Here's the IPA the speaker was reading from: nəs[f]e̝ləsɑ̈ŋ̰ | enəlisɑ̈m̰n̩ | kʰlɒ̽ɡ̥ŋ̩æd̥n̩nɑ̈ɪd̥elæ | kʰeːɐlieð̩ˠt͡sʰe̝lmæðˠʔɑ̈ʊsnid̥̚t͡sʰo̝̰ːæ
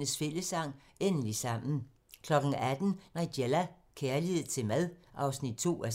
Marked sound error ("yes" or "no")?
no